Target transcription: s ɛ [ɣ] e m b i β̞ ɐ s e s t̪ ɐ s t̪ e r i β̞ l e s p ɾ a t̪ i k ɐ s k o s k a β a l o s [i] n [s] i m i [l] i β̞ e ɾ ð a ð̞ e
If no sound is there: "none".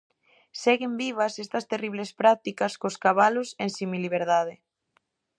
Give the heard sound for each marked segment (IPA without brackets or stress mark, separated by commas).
ɣ, e, s, l